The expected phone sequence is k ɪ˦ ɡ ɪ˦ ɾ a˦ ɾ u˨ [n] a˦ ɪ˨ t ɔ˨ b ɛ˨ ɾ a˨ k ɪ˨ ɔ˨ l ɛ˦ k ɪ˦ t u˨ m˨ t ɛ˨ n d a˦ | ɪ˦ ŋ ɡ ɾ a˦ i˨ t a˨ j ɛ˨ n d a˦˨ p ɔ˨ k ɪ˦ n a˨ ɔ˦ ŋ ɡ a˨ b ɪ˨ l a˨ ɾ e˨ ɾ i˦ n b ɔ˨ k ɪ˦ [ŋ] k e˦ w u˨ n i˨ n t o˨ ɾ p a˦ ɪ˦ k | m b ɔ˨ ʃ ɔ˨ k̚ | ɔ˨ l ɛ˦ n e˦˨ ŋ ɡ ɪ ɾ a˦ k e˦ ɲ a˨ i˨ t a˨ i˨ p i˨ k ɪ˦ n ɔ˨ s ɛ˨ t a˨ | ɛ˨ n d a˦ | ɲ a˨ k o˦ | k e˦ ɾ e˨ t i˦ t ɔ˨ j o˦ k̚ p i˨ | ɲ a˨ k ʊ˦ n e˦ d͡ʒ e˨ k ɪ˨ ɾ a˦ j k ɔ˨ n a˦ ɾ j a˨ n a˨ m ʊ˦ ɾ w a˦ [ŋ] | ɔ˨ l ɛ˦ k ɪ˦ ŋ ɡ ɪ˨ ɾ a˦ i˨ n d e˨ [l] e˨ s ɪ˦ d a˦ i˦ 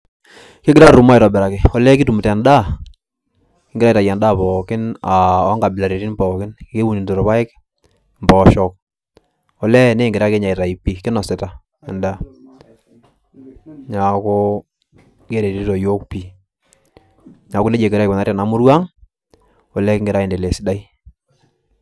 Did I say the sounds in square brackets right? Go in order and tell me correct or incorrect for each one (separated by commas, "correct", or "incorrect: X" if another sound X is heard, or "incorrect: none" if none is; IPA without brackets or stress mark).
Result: incorrect: m, incorrect: n, correct, correct